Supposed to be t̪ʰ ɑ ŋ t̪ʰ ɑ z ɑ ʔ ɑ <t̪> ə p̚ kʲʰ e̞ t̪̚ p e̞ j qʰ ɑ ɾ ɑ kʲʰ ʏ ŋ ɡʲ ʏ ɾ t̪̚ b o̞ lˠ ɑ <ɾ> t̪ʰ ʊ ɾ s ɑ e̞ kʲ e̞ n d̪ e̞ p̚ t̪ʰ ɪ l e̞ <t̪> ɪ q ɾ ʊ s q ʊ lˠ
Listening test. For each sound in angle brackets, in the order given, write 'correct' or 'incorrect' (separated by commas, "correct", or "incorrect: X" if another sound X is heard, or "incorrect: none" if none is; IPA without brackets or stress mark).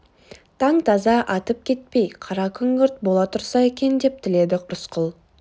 correct, incorrect: none, incorrect: d̪